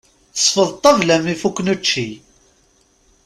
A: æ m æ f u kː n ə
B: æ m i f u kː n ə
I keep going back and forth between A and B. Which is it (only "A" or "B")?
B